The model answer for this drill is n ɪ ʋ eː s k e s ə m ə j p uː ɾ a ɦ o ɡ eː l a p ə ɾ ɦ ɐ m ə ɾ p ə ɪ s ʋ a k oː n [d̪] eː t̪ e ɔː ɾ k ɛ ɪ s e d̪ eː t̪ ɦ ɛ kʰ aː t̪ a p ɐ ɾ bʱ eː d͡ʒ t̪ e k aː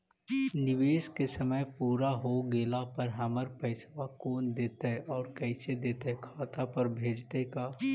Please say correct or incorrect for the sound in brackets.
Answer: correct